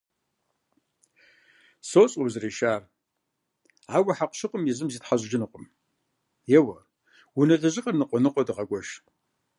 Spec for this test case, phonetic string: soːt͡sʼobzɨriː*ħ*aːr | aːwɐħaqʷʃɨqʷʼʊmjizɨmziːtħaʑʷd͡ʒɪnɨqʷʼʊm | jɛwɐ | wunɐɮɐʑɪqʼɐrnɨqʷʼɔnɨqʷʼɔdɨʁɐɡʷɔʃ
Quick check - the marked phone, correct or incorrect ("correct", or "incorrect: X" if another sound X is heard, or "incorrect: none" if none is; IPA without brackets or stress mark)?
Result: incorrect: ʃ